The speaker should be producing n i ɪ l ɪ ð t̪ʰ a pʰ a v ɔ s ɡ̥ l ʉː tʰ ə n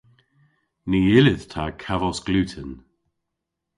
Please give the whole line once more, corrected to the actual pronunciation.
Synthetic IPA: n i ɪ l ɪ ð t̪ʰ a kʰ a v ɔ s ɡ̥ l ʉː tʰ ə n

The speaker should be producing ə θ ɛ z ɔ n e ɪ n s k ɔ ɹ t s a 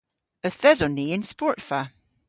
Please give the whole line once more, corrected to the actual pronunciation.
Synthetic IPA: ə θ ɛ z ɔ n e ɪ n s p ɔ ɹ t f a

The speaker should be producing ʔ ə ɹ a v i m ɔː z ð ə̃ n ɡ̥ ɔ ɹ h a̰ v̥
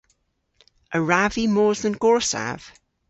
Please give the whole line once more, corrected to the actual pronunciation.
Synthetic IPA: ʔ ə ɹ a v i m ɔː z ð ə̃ n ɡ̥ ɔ ɹ s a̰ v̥

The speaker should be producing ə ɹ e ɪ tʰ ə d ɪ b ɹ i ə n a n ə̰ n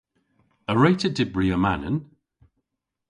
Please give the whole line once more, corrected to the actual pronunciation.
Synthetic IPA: ə ɹ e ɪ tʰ ə d ɪ b ɹ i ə m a n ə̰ n

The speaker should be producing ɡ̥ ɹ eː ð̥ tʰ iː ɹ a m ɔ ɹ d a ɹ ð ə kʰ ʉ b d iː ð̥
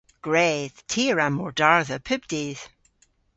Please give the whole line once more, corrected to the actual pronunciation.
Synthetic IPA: ɡ̥ ɹ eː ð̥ tʰ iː ɹ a m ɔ ɹ d a ɹ ð ə pʰ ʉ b d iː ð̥

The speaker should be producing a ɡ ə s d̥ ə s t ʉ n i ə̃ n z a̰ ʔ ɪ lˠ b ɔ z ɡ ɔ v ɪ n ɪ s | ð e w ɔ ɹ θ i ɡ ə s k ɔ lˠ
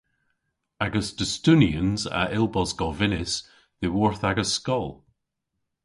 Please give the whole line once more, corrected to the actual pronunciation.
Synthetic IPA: a ɡ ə s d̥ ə s t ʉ n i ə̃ n z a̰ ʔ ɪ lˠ b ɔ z ɡ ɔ v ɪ n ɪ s | ð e w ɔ ɹ θ a ɡ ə s k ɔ lˠ

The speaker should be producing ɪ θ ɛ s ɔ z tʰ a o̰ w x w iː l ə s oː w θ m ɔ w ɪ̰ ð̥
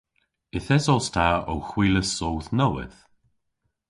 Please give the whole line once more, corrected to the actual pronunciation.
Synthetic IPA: ɪ θ ɛ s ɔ s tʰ a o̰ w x w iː l ə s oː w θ n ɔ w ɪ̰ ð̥

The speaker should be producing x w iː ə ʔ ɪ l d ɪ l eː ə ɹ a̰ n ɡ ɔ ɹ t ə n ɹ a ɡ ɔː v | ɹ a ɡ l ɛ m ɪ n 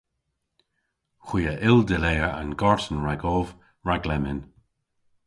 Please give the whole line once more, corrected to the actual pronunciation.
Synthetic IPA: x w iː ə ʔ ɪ l d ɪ l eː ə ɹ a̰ n ɡ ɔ ɹ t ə n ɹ a ɡ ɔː v | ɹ a ɡ l ɛ m ɪ n

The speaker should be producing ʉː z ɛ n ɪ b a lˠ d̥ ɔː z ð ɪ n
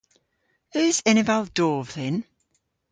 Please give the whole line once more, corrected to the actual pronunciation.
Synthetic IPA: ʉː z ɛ n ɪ v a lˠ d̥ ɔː v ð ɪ n

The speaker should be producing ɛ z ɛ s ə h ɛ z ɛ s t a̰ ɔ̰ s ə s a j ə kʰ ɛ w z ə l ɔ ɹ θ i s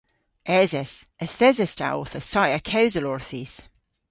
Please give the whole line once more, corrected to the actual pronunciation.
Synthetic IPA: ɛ z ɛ s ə θ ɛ z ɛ s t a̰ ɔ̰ θ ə s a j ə kʰ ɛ w z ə l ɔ ɹ θ i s

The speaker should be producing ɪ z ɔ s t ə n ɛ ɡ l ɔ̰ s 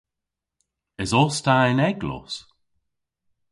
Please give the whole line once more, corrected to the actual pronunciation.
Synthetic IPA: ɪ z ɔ s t a n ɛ ɡ l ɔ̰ s

